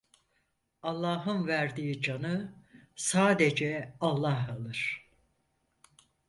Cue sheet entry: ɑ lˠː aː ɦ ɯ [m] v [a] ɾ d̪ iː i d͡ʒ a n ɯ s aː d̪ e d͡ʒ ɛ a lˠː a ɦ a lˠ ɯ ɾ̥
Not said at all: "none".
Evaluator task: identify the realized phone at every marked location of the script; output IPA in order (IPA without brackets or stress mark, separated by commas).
n, æ